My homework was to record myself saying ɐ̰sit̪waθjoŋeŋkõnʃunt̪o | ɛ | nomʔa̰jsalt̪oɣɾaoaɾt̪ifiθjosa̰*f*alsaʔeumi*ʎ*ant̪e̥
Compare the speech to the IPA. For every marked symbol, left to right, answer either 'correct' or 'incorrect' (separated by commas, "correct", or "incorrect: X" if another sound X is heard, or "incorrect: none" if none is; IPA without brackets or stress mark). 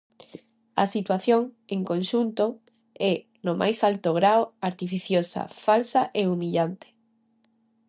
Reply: correct, correct